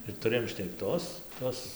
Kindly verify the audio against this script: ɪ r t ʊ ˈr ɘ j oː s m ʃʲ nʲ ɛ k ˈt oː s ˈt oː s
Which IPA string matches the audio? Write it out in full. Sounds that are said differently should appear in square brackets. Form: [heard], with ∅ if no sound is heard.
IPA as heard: ɪ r t ʊ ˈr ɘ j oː [∅] m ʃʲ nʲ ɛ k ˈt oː s ˈt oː s